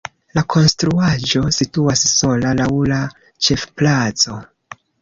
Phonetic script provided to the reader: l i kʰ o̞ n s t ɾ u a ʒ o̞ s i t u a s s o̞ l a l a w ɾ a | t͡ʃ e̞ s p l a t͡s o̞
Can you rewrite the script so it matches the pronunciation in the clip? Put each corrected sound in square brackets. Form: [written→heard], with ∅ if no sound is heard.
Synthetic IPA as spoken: l [i→a] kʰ o̞ n s t ɾ u a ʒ o̞ s i t u a s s o̞ l a l a w [ɾ→l] a | t͡ʃ e̞ [s→f] p l a t͡s o̞